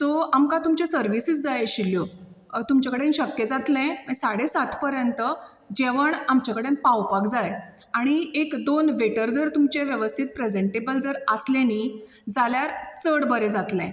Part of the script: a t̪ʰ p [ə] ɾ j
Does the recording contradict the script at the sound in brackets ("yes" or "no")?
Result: no